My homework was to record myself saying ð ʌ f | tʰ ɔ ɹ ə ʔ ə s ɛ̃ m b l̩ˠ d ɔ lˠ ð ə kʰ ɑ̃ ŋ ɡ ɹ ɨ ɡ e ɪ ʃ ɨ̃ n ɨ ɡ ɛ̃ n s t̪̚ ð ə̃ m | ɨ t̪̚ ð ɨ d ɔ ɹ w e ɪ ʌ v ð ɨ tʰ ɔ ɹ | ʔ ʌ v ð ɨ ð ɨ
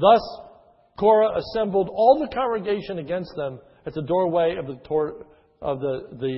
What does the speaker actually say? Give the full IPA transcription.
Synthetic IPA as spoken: ð ʌ s | kʰ ɔ ɹ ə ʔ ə s ɛ̃ m b l̩ˠ d ɔ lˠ ð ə kʰ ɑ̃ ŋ ɡ ɹ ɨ ɡ e ɪ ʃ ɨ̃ n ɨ ɡ ɛ̃ n s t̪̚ ð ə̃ m | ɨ t̪̚ ð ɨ d ɔ ɹ w e ɪ ʌ v ð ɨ tʰ ɔ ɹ | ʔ ʌ v ð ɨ ð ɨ